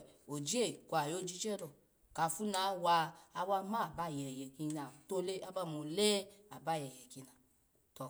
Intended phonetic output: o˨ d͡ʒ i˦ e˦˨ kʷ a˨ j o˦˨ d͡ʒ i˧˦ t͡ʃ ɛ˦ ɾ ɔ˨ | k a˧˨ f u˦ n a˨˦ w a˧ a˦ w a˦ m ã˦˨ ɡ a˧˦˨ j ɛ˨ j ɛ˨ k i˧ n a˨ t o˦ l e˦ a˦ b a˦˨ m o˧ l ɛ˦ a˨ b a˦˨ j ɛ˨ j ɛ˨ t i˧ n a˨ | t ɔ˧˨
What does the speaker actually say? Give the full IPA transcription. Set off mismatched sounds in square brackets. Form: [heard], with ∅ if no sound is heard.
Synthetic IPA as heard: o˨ d͡ʒ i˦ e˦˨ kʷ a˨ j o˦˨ d͡ʒ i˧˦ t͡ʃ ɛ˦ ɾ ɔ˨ | k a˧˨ f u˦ n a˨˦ w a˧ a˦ w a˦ m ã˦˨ [b] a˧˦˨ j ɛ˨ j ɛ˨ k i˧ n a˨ t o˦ l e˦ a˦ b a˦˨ m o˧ l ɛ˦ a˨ b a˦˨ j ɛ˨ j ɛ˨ [k] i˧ n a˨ | t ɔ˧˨